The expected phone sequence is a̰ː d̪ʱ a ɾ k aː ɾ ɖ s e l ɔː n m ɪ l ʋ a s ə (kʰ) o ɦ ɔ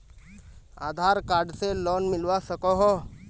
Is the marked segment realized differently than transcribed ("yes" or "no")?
yes